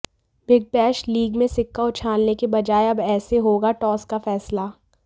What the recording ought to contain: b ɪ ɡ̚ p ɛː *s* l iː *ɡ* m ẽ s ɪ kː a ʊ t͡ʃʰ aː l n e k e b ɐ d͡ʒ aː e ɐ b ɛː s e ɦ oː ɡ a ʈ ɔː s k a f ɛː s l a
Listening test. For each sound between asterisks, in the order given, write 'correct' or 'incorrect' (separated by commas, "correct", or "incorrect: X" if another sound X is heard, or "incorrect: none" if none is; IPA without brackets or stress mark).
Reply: incorrect: ʃ, correct